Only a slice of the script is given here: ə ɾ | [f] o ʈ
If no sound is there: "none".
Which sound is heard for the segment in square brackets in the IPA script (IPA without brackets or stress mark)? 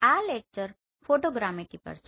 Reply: f